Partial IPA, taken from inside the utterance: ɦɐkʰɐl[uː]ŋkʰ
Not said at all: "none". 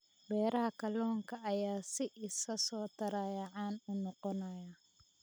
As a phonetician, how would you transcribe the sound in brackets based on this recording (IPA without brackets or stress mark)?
ɔː